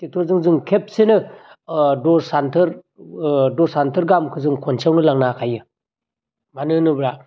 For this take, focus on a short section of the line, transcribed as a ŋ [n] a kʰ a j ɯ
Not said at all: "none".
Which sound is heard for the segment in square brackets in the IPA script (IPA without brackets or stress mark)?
n